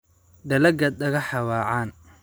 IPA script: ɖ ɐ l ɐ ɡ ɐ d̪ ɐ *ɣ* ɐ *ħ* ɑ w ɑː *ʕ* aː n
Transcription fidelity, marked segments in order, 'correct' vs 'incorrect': correct, correct, correct

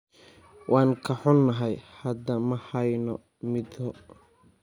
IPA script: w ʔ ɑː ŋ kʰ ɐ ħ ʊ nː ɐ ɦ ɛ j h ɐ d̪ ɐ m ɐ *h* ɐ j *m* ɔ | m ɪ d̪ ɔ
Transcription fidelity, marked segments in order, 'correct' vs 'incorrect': correct, incorrect: n

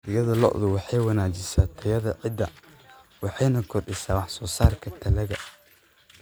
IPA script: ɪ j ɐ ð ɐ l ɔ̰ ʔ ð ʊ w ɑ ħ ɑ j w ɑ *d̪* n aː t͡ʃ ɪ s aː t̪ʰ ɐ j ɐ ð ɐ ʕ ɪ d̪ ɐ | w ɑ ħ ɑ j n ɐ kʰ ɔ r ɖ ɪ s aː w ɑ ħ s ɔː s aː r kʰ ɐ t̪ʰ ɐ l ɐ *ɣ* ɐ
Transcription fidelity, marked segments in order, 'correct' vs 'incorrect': incorrect: none, correct

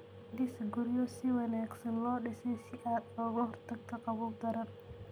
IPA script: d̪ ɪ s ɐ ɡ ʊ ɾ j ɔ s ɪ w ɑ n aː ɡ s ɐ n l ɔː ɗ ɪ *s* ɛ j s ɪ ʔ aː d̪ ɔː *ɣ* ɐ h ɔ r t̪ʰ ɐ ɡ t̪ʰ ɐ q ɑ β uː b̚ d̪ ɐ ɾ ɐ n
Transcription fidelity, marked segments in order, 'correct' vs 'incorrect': correct, correct

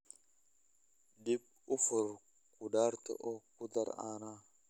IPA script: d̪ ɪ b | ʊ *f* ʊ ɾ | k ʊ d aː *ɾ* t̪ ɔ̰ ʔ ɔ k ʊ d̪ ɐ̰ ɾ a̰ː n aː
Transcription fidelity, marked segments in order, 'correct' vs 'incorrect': correct, correct

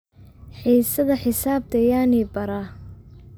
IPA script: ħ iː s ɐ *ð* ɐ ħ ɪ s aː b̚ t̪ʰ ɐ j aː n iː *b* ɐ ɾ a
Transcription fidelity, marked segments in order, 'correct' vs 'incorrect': correct, correct

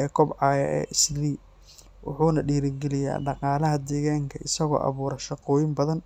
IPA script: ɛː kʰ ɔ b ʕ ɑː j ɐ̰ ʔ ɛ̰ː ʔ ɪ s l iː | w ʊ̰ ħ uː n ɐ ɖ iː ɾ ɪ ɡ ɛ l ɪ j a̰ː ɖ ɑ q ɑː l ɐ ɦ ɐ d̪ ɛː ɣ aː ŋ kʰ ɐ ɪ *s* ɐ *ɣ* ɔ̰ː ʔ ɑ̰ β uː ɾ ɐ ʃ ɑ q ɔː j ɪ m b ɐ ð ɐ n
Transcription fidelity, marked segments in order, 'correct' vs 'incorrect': correct, correct

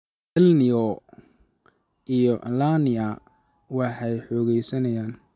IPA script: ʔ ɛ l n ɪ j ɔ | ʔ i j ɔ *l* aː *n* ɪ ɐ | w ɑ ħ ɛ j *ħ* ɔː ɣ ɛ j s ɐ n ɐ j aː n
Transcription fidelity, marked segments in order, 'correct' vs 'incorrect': correct, correct, correct

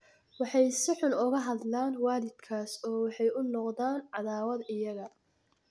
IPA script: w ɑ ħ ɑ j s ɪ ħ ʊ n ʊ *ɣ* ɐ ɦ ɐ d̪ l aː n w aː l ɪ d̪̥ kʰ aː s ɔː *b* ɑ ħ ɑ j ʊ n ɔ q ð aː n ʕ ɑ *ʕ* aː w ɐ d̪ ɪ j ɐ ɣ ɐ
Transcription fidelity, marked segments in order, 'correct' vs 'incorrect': correct, incorrect: w, incorrect: ð

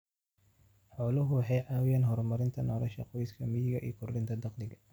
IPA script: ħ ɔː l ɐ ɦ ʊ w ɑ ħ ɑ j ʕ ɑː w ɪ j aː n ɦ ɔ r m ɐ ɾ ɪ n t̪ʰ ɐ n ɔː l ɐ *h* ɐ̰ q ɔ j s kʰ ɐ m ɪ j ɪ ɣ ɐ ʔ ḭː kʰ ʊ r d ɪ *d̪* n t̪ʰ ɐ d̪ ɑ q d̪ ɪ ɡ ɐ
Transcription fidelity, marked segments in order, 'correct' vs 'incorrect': incorrect: ʃ, incorrect: none

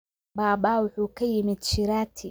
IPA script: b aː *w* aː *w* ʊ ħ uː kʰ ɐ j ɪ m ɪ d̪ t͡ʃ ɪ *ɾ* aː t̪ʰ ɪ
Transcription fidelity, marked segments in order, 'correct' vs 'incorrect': incorrect: b, correct, correct

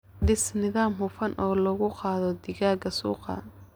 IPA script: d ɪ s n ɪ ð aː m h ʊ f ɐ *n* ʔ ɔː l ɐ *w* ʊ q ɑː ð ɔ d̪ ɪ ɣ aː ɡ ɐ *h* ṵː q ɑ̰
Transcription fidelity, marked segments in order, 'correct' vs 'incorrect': correct, incorrect: ɣ, incorrect: s

